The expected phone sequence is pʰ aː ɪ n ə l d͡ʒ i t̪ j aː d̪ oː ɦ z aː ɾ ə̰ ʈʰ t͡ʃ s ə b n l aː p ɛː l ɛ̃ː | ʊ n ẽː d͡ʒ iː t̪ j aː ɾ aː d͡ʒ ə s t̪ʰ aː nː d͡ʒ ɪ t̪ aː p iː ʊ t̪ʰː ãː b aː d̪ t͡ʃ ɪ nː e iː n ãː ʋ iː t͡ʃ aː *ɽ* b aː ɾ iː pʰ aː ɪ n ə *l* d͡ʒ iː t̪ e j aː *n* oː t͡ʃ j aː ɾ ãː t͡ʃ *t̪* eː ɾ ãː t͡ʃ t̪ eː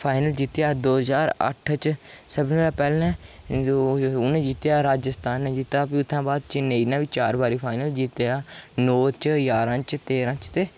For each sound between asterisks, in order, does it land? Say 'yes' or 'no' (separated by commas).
no, yes, yes, yes